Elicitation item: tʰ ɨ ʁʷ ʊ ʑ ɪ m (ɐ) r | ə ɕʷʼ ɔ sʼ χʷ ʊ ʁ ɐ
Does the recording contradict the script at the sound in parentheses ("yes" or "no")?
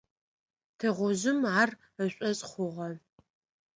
yes